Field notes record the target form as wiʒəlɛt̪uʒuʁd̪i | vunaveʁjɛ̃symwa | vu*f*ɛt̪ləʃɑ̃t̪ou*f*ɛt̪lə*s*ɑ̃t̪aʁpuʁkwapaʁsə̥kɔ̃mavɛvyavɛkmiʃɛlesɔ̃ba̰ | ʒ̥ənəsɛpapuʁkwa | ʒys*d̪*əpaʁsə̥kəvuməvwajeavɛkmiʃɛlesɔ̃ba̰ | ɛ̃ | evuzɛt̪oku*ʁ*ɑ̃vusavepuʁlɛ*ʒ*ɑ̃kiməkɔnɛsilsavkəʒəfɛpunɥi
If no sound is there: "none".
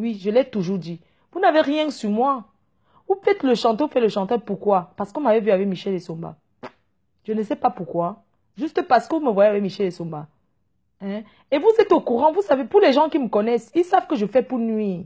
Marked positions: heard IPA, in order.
f, f, ʃ, t̪, ʁ, ʒ

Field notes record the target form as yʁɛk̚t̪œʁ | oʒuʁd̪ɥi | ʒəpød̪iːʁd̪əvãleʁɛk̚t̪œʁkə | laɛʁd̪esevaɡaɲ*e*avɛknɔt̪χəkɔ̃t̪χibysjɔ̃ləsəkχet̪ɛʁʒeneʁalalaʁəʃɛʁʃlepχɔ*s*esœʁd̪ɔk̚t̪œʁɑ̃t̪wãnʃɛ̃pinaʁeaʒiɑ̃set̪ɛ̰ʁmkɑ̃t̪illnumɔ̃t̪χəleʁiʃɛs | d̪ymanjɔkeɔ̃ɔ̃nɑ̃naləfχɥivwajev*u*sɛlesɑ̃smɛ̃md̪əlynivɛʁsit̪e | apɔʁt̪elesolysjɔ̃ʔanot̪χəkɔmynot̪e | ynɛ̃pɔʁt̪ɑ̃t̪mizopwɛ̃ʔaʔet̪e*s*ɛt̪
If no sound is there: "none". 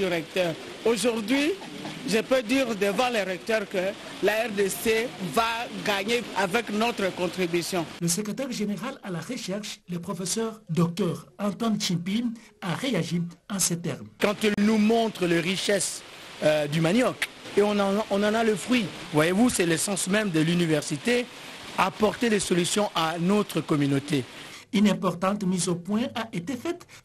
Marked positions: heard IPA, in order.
e, f, u, f

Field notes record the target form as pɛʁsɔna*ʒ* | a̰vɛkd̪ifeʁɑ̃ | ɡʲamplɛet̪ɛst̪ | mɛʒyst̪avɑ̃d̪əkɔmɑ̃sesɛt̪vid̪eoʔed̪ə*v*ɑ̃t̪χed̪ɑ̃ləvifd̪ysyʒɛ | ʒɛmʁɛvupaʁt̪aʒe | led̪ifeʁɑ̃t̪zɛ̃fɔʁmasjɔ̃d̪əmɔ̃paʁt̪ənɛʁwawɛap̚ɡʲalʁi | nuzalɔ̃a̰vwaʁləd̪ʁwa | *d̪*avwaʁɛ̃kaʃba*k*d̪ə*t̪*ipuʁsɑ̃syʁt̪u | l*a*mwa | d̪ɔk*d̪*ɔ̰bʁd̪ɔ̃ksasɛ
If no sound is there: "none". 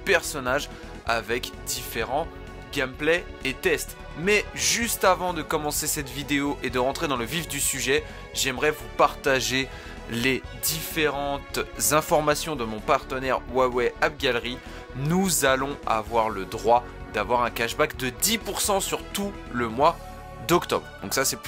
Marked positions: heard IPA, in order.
ʒ, ʁ, d̪, k, d̪, ə, t̪

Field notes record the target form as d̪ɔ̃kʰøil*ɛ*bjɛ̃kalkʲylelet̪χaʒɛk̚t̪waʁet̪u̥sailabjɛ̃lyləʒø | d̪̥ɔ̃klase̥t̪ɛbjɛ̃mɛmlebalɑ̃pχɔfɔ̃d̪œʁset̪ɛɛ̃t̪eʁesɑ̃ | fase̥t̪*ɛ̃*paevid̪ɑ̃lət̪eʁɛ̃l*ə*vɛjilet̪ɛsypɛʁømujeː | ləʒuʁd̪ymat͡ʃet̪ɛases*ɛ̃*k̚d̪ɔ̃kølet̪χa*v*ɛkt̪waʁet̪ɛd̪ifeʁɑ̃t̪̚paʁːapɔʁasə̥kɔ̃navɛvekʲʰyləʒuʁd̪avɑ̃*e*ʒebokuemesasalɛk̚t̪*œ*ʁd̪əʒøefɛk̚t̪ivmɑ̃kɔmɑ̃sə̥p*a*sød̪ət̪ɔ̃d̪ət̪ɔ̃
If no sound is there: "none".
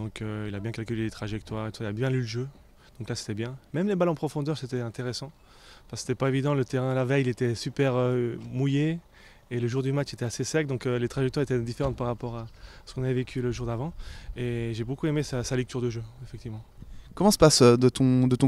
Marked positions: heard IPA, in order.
a, ɛ, a, ɛ, ʒ, e, y, a

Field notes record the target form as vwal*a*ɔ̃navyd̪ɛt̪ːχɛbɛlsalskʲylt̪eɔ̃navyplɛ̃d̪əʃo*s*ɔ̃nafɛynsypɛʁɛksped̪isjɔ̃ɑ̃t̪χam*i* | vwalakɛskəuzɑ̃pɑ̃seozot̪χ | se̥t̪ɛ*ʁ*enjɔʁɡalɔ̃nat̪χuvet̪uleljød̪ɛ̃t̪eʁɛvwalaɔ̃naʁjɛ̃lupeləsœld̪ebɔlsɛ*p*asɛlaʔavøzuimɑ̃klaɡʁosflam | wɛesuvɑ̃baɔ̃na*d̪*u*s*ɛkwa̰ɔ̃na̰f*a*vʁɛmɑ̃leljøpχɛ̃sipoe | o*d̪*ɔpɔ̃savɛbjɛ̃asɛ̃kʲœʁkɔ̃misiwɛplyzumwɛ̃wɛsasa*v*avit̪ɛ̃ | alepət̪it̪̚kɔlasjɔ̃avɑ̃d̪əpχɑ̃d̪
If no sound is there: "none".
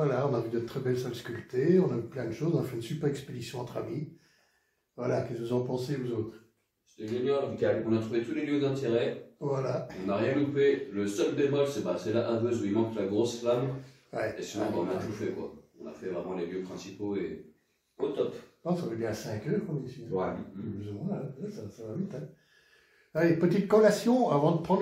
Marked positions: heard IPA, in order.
a, z, i, ʒ, b, t̪, f, ɛ, t̪, v

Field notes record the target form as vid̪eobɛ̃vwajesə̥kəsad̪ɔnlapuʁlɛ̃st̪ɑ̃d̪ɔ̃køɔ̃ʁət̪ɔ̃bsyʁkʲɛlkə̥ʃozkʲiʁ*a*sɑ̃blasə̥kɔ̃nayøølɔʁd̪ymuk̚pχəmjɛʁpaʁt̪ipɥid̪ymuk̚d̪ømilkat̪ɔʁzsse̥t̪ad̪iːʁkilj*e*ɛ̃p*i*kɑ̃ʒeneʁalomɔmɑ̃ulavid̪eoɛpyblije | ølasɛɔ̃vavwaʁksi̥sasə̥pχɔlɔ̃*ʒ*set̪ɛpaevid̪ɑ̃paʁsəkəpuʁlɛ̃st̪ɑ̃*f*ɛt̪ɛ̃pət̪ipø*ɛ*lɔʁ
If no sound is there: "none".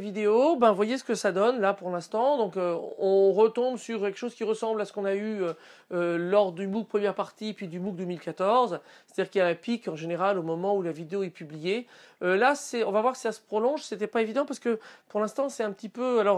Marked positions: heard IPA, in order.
ə, a, i, ʒ, s, a

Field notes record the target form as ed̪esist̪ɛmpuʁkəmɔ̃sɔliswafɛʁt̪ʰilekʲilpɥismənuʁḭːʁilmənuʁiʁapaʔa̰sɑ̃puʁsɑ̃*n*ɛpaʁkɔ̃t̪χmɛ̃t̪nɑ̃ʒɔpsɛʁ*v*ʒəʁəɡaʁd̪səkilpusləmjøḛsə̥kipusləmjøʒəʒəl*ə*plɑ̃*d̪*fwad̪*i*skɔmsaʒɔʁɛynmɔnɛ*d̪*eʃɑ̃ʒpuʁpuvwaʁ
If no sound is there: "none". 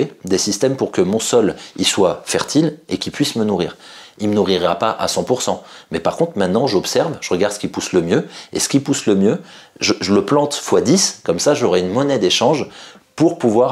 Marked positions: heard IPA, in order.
m, v, ə, t̪, i, d̪

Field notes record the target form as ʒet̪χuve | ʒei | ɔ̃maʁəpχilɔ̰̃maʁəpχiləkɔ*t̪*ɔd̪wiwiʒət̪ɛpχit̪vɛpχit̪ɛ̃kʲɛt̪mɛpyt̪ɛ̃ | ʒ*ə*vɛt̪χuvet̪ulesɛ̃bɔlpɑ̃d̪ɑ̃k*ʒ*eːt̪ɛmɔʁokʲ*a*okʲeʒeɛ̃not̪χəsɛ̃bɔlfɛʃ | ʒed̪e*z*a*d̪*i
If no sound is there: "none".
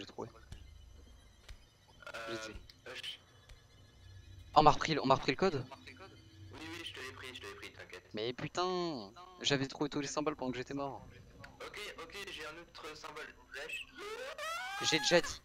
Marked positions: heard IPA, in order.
d̪, a, ʒ, e, ʒ, d̪

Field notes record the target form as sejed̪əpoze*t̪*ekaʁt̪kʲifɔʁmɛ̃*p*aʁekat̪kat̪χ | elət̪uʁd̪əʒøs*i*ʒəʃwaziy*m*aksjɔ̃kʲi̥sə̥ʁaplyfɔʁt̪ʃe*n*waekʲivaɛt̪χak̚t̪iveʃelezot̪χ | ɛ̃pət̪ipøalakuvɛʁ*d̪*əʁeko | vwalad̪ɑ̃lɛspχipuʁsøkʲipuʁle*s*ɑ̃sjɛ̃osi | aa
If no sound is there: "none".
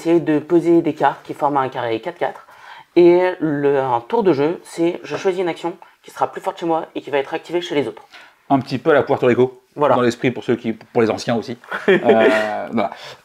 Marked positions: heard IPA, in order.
d̪, k, ɛ, n, m, t̪, z

